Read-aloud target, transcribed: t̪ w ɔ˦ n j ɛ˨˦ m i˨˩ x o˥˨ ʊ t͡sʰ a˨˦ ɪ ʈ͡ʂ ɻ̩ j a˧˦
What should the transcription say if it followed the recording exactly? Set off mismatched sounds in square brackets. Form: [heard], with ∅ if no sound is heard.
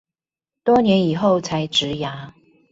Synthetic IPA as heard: t̪ w ɔ˦ n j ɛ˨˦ [n] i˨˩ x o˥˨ ʊ t͡sʰ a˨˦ ɪ ʈ͡ʂ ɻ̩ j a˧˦